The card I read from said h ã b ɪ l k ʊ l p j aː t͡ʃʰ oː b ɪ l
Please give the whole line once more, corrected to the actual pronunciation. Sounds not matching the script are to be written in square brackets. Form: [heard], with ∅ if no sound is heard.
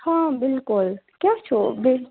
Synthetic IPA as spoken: h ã b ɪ l k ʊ l [k] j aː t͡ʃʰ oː b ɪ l